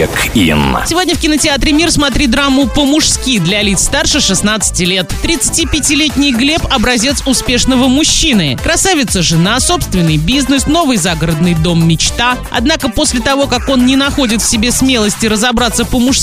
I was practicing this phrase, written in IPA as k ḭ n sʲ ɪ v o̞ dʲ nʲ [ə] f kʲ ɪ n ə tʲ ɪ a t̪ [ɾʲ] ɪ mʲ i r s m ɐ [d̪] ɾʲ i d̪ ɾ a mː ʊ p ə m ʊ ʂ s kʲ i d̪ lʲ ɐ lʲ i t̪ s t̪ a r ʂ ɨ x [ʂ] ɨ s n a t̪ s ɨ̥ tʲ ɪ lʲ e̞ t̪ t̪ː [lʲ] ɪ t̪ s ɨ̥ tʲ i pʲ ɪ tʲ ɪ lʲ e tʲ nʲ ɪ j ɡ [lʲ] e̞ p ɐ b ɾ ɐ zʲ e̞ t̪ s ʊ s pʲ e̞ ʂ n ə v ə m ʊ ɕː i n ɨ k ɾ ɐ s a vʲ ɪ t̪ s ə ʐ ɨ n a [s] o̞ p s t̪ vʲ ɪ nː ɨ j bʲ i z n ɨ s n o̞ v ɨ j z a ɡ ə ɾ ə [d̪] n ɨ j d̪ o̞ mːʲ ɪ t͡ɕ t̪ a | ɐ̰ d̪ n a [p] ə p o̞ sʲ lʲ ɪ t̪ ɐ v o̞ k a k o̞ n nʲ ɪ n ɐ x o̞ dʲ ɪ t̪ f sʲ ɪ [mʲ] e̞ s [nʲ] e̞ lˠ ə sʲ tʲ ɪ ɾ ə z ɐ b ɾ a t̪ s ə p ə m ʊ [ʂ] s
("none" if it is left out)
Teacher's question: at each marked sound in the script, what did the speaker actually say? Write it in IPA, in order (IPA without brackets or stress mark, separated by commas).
ə, ɾʲ, t̪, ʂ, ɾʲ, lʲ, s, d̪, k, bʲ, mʲ, ʂ